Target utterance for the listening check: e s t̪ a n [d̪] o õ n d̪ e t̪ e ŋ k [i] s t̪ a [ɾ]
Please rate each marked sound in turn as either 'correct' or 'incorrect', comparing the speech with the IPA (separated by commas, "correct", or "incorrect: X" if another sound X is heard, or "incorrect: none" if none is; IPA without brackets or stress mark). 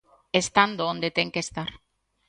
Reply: correct, incorrect: e, correct